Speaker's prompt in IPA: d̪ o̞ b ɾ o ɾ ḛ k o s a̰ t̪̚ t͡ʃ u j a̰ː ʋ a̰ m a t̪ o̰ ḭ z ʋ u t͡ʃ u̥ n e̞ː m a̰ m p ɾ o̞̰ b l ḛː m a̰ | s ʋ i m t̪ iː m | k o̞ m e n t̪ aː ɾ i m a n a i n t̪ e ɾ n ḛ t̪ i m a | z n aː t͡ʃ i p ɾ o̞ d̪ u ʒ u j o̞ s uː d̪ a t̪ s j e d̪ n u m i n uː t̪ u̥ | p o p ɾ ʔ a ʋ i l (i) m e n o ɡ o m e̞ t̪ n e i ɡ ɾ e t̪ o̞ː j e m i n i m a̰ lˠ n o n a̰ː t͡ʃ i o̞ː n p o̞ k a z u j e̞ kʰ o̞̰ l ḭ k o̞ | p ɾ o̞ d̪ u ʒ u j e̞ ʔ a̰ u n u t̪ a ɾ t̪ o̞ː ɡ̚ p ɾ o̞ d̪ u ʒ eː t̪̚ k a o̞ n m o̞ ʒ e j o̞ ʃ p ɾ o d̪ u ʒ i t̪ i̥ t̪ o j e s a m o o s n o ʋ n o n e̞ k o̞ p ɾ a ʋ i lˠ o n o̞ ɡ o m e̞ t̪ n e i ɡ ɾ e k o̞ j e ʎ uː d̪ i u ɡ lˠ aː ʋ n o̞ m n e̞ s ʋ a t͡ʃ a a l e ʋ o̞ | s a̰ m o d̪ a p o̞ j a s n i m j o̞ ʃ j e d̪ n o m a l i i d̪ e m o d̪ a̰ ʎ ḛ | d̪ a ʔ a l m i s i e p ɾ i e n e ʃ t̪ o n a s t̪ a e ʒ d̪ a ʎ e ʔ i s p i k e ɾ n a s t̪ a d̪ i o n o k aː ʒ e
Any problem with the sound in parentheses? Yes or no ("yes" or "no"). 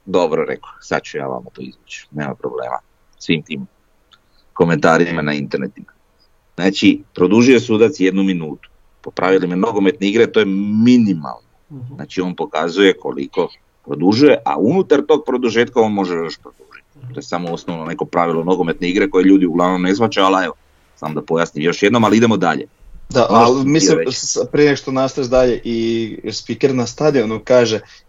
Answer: no